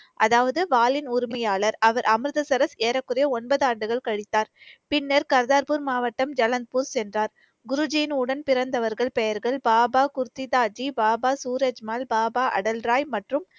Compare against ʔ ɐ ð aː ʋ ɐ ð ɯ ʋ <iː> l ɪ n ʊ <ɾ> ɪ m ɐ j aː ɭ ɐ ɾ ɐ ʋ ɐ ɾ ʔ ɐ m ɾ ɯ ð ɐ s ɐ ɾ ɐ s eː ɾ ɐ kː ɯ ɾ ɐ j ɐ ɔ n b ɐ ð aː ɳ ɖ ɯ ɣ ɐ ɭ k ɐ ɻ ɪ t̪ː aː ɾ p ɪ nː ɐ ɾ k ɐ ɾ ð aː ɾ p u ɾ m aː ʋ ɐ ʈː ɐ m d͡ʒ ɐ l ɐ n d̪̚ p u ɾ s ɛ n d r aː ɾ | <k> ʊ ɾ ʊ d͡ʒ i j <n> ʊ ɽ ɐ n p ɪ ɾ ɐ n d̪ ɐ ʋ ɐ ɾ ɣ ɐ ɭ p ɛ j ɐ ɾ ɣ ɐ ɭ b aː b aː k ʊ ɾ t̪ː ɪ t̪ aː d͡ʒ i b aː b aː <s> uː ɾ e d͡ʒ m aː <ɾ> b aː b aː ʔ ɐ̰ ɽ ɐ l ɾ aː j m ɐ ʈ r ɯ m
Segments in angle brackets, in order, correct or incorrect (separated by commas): incorrect, correct, incorrect, correct, correct, incorrect